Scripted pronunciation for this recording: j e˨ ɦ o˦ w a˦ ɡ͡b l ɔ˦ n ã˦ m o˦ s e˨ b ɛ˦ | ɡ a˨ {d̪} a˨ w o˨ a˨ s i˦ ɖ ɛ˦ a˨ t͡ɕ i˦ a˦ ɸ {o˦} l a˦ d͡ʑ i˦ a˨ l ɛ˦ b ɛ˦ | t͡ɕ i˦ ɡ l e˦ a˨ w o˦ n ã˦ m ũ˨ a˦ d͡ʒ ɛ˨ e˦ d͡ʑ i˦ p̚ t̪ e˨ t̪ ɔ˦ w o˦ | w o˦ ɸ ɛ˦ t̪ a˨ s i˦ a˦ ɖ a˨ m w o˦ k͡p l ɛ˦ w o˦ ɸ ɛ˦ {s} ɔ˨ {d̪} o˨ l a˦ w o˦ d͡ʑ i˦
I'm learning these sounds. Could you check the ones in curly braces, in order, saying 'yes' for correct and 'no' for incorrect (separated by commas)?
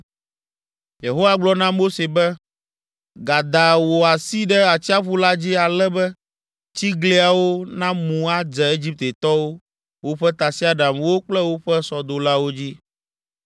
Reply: yes, no, yes, yes